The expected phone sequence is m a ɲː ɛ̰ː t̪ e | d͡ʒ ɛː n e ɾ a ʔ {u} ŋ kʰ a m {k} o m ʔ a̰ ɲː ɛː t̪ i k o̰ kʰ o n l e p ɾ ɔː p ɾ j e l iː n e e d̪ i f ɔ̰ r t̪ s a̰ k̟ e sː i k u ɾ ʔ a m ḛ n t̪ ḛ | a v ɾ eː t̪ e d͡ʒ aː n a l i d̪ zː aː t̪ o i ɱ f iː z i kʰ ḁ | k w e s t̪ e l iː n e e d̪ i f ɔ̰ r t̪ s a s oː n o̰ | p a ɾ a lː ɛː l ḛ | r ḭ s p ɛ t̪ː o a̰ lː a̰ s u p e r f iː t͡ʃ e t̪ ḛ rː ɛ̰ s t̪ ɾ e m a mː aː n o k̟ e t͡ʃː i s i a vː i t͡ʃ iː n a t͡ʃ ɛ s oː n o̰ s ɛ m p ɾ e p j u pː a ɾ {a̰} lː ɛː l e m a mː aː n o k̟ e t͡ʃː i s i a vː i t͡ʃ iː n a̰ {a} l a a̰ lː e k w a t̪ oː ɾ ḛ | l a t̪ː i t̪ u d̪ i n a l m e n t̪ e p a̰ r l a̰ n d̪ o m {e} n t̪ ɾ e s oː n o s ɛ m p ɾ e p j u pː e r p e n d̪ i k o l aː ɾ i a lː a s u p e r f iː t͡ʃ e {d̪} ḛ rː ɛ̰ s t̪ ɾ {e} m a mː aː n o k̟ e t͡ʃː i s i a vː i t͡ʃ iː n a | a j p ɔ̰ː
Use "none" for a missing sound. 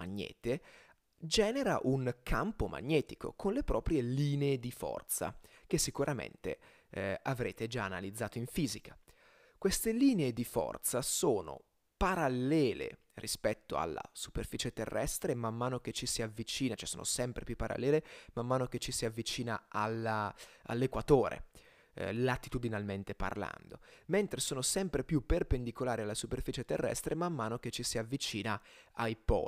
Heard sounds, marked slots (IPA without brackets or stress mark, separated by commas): u, p, a̰, a, e, t̪, e